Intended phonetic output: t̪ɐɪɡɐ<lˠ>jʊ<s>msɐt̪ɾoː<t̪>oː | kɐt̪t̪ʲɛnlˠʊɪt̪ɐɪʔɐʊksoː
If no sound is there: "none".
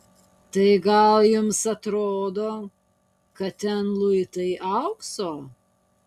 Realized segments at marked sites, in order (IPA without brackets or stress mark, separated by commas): lˠ, none, d̪